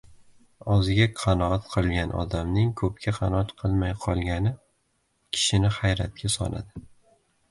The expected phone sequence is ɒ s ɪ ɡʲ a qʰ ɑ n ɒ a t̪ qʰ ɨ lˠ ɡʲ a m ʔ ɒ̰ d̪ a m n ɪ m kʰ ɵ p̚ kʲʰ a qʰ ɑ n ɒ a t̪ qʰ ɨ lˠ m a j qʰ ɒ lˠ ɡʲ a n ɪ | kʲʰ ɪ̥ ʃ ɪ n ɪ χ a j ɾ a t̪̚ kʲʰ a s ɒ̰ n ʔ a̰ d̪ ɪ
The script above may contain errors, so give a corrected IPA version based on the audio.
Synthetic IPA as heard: ɒ z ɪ ɡʲ a qʰ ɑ n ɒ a t̪ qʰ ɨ lˠ ɡʲ a n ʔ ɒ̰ d̪ a m n ɪ ŋ kʰ ɵ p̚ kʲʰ a qʰ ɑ n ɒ a t̪ qʰ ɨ lˠ m a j qʰ ɒ lˠ ɡʲ a n ɪ | kʲʰ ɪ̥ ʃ ɪ n ɪ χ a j ɾ a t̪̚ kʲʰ a s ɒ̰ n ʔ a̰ d̪ ɪ

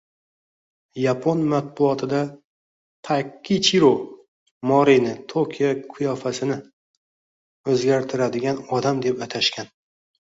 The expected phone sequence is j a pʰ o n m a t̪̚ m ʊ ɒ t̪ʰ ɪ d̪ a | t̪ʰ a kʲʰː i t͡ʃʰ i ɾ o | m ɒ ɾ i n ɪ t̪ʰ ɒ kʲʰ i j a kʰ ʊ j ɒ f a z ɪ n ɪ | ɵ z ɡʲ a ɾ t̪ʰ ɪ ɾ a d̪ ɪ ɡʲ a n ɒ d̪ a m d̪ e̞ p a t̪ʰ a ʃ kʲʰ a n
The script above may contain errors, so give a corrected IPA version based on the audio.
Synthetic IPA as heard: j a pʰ o n m a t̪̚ b ʊ ɒ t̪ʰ ɪ d̪ a | t̪ʰ a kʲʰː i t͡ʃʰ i ɾ o | m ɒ ɾ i n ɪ t̪ʰ o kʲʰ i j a kʰ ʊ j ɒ f a s ɪ n ɪ | ɵ z ɡʲ a ɾ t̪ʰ ɪ ɾ a d̪ ɪ ɡʲ a n ɒ d̪ a m d̪ e̞ p a t̪ʰ a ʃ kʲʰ a n

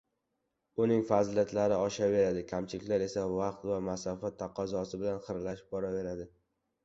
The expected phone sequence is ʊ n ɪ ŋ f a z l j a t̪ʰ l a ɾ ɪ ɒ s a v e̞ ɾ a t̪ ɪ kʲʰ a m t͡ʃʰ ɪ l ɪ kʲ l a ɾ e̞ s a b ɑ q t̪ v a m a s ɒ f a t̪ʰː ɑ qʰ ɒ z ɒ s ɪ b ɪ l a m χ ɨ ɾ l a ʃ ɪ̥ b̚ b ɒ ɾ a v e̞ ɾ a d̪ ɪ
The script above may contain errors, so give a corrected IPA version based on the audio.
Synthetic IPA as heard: ʊ n ɪ ŋ f a z l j a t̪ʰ l a ɾ ɪ ɒ ʃ a v e̞ ɾ a d̪ ɪ kʲʰ a m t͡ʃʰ ɪ l ɪ kʲ l a ɾ e̞ s a v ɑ q t̪ v a m a s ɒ f a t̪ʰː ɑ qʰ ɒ z ɒ s ɪ b ɪ l a n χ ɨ ɾ l a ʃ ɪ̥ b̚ b ɒ ɾ a v e̞ ɾ a d̪ ɪ

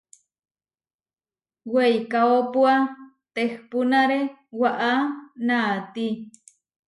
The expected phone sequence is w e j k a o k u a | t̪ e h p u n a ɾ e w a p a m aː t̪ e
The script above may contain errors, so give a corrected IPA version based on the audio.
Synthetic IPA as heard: w e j k a o p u a | t̪ e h p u n a ɾ e w a ʔ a n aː t̪ i

